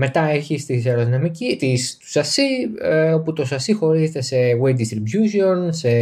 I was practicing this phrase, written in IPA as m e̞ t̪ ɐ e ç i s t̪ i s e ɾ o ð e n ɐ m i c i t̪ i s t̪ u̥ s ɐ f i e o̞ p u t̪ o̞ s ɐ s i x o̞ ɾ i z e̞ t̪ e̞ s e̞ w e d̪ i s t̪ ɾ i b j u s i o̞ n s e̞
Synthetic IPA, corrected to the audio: m e̞ t̪ ɐ e ç i s t̪ i s e ɾ o ð i n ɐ m i c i t̪ i s t̪ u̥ s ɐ s i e o̞ p u t̪ o̞ s ɐ s i x o̞ ɾ i z e̞ t̪ e̞ s e̞ w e d̪ i s t̪ ɾ i b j u s i o̞ n s e̞